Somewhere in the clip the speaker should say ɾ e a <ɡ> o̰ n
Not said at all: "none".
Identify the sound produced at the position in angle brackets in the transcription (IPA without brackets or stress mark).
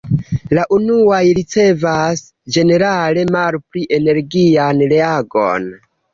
ɡ